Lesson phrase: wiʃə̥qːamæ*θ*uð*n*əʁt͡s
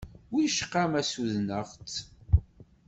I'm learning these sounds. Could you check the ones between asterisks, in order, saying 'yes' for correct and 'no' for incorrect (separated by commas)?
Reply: no, yes